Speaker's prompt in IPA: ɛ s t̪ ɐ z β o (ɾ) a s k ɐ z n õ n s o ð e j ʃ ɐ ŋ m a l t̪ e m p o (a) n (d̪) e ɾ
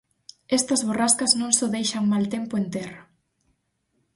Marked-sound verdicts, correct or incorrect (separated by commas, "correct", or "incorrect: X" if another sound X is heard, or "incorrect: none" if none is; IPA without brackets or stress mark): incorrect: r, incorrect: e, incorrect: t̪